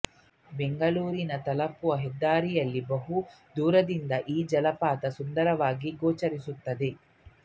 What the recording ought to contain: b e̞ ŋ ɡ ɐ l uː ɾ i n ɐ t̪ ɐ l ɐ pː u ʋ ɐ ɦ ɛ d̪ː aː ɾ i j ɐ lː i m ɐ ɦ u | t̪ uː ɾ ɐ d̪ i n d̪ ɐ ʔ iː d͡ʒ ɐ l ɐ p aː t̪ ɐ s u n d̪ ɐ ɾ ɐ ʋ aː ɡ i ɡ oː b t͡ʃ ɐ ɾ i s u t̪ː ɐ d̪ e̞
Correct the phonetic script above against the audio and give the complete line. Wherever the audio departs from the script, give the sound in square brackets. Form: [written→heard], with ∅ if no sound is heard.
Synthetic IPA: b e̞ ŋ ɡ ɐ l uː ɾ i n ɐ t̪ ɐ l ɐ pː u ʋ ɐ ɦ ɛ d̪ː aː ɾ i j ɐ lː i [m→b] ɐ ɦ u | [t̪→d̪] uː ɾ ɐ d̪ i n d̪ ɐ ʔ iː d͡ʒ ɐ l ɐ p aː t̪ ɐ s u n d̪ ɐ ɾ ɐ ʋ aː ɡ i ɡ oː [b→∅] t͡ʃ ɐ ɾ i s u t̪ː ɐ d̪ e̞

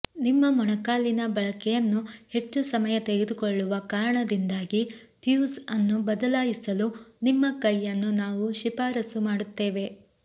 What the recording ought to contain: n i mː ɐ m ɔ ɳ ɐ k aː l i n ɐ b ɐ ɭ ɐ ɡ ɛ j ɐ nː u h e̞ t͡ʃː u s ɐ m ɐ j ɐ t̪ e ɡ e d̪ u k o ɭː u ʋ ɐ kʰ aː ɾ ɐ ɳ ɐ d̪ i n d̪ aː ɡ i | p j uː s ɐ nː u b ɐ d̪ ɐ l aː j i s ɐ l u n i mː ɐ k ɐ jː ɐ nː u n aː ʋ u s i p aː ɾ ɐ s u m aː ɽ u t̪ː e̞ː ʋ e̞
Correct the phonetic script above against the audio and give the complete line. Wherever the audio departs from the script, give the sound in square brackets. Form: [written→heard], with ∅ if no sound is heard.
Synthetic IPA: n i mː ɐ m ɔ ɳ ɐ k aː l i n ɐ b ɐ ɭ ɐ [ɡ→k] ɛ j ɐ nː u h e̞ t͡ʃː u s ɐ m ɐ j ɐ t̪ e ɡ e d̪ u k o ɭː u ʋ ɐ [kʰ→k] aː ɾ ɐ ɳ ɐ d̪ i n d̪ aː ɡ i | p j uː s ɐ nː u b ɐ d̪ ɐ l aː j i s ɐ l u n i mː ɐ k ɐ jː ɐ nː u n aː ʋ u [s→ʃ] i p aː ɾ ɐ s u m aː ɽ u t̪ː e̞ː ʋ e̞

